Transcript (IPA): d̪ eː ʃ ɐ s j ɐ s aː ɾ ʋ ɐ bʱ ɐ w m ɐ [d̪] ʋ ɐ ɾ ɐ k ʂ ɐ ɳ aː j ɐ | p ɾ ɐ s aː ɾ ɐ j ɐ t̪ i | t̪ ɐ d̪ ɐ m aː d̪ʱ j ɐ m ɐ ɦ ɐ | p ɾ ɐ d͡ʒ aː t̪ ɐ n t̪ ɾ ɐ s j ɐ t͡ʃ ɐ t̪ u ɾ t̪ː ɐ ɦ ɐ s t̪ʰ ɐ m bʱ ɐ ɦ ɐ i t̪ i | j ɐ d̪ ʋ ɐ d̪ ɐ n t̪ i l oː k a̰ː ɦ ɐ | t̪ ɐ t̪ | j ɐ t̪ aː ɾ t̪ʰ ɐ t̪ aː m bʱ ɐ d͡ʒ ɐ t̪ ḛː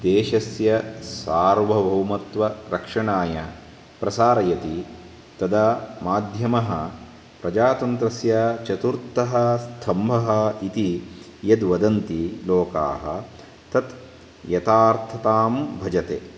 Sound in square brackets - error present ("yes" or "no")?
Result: yes